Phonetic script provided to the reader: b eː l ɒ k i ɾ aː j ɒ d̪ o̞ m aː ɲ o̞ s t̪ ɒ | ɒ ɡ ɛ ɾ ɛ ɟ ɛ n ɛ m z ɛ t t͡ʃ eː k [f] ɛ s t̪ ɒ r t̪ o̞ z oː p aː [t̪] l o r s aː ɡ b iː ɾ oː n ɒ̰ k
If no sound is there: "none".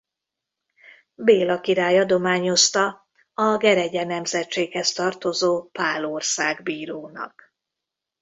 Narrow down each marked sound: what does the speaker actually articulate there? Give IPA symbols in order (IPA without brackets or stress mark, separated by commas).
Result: h, none